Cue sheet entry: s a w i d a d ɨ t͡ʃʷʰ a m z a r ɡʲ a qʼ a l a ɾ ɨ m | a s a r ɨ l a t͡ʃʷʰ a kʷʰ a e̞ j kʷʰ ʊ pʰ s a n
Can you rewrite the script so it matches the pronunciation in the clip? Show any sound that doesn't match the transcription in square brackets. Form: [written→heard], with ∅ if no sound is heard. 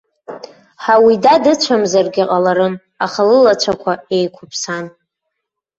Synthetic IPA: [s→ħ] a w i d a d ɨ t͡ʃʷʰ a m z a r ɡʲ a qʼ a l a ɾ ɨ m | a [s→χ] a [r→l] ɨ l a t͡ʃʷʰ a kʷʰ a e̞ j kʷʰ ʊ pʰ s a n

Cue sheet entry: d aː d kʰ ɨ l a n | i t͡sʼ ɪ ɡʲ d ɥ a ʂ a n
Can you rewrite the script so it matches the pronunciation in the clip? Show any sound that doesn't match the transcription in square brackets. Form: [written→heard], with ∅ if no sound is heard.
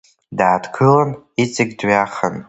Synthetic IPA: d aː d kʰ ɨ l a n | i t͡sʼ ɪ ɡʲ d ɥ a [ʂ→χ] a n

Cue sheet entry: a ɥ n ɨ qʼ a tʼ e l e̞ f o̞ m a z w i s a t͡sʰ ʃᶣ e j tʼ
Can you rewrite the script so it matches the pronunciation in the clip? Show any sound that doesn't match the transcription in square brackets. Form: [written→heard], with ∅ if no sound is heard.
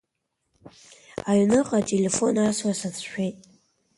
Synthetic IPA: a ɥ n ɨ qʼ a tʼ e l e̞ f o̞ [m→n] a [z→s] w [i→a] s a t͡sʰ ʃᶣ e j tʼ

